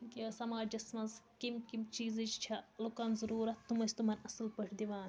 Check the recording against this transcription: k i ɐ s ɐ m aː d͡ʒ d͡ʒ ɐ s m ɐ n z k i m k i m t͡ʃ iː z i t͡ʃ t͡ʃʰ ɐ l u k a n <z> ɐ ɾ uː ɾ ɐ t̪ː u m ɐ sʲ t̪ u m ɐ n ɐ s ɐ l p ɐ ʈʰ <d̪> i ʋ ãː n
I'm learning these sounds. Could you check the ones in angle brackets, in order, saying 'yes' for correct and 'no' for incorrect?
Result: yes, yes

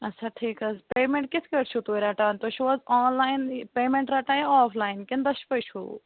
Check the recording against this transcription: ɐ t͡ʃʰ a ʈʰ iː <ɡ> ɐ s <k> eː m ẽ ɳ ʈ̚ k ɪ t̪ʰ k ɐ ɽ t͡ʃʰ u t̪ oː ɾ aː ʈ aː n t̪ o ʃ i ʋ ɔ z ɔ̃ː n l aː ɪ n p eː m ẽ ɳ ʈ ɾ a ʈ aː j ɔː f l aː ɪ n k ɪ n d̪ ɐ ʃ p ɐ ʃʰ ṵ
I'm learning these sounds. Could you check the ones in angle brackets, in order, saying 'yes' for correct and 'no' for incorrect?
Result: no, no

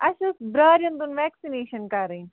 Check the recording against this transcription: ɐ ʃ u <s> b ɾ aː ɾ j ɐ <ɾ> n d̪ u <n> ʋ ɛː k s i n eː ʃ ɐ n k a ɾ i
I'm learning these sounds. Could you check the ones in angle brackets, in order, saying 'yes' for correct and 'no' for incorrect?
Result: yes, no, yes

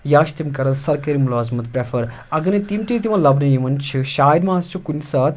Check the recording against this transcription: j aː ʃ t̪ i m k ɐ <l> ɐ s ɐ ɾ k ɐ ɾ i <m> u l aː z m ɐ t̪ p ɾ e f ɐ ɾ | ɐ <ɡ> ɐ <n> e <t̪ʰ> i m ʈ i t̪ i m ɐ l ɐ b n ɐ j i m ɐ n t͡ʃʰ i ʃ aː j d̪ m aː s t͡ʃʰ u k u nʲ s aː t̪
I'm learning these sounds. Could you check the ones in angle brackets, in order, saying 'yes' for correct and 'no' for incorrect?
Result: no, yes, yes, yes, no

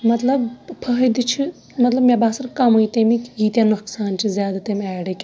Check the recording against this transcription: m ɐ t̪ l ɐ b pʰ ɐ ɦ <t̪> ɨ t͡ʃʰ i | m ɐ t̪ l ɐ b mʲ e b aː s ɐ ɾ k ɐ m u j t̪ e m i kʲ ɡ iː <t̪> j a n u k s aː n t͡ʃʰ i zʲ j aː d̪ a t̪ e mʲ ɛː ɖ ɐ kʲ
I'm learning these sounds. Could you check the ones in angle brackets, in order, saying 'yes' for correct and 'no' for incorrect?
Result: no, yes

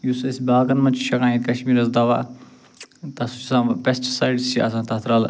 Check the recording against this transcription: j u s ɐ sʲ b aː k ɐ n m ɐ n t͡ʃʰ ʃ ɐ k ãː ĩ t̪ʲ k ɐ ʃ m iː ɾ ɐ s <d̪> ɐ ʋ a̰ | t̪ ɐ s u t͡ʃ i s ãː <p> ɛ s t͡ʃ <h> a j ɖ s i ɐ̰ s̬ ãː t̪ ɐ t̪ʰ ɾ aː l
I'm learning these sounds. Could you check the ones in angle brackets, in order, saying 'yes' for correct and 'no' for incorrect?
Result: yes, yes, no

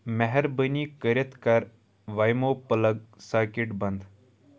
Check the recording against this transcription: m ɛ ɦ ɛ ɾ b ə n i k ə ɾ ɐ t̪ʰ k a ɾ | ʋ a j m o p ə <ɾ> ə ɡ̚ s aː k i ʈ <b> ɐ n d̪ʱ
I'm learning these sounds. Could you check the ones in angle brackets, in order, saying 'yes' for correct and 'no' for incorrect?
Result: no, yes

